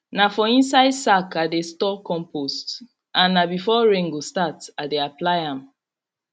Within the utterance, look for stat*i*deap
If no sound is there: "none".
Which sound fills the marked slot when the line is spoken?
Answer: a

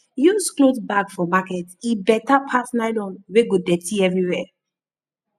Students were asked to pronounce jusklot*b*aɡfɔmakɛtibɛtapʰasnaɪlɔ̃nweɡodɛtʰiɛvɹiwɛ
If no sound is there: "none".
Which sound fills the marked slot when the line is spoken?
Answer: b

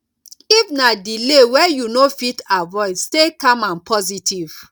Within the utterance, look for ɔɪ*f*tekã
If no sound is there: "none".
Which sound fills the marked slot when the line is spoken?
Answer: s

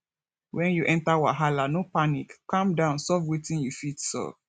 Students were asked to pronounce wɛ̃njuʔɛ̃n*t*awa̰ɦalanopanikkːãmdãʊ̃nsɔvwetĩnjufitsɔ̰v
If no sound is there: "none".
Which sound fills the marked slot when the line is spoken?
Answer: t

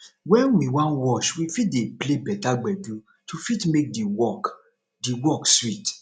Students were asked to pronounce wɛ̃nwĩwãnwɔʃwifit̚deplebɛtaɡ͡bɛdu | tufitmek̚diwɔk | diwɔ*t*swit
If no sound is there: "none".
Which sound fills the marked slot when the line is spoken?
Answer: k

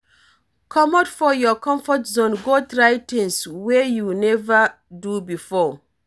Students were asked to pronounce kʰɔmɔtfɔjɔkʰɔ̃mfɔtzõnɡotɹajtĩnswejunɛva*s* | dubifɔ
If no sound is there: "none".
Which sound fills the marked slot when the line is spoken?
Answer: none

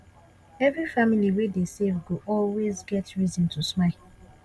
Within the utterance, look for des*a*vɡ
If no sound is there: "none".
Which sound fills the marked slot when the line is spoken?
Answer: e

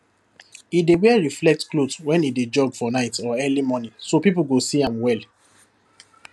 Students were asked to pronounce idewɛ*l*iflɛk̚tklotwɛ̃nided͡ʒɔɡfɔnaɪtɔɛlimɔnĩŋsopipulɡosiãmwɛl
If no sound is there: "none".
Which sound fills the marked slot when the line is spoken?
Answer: ɹ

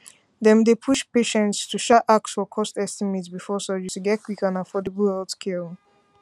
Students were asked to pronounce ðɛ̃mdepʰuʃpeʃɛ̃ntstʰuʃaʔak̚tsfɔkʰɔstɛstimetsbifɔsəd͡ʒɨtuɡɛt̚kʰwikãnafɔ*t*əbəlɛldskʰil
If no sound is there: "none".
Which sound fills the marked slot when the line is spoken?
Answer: d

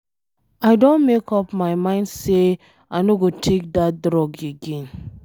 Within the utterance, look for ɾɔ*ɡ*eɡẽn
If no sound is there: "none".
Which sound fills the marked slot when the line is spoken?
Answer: ɡ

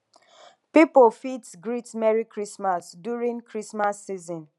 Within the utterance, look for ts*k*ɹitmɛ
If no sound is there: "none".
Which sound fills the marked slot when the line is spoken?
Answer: ɡ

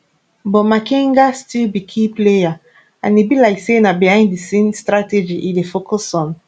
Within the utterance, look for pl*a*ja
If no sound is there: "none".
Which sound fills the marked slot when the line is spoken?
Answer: e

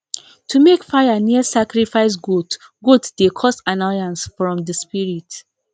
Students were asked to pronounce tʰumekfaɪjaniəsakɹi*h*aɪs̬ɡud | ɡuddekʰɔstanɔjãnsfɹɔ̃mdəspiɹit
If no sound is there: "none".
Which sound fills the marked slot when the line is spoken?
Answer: f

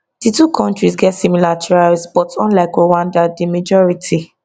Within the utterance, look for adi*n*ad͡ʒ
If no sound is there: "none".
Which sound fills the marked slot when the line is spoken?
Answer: m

